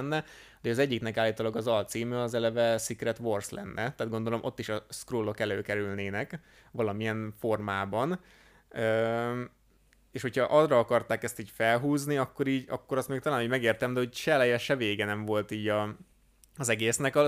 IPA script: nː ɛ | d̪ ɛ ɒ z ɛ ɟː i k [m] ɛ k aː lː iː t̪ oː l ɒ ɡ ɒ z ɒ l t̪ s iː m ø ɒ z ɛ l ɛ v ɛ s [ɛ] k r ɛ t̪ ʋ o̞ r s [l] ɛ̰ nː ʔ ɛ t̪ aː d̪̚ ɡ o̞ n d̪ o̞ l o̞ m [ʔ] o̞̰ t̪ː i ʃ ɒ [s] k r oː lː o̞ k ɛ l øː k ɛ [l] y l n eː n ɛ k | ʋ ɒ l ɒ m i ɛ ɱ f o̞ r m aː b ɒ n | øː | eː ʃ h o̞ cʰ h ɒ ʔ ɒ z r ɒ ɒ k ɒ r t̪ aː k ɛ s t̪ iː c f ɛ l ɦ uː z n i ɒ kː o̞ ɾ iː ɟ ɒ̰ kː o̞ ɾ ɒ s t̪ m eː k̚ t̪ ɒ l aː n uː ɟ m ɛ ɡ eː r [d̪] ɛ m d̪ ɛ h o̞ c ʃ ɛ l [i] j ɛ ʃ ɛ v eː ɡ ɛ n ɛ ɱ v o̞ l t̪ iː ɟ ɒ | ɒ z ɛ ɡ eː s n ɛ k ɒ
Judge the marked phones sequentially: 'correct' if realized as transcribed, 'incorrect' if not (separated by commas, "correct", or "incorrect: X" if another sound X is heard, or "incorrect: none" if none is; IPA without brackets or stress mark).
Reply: incorrect: n, incorrect: i, correct, correct, correct, incorrect: ɾ, incorrect: t̪, incorrect: ɛ